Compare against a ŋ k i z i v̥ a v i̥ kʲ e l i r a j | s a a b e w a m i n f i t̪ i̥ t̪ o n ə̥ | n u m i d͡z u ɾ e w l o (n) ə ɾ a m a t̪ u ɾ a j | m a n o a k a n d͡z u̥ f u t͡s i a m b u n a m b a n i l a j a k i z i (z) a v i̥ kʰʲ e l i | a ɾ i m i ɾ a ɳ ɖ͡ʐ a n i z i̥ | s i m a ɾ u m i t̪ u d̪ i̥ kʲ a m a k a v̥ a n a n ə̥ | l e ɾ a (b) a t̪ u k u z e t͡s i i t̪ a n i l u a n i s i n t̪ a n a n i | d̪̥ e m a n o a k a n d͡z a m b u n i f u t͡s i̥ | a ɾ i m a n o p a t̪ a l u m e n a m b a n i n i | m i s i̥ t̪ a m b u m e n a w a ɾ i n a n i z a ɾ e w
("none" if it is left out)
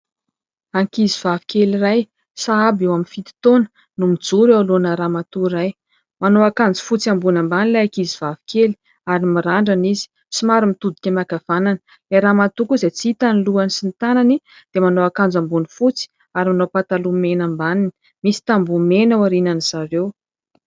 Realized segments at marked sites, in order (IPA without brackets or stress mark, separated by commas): n, v, m